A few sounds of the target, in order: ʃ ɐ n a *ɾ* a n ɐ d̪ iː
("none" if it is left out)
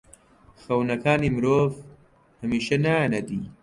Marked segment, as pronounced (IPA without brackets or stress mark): none